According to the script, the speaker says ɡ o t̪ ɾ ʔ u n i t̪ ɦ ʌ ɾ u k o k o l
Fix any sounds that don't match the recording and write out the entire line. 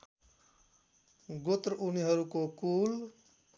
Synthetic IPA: ɡ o t̪ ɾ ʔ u n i ɦ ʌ ɾ u k o k u l